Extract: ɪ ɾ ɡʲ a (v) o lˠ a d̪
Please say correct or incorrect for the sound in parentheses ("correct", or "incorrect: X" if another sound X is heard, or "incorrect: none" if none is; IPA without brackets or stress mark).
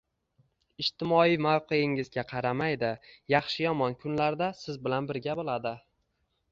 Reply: incorrect: b